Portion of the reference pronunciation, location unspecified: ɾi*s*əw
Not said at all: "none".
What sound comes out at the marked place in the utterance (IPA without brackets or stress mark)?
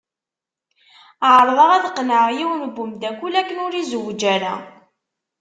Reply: z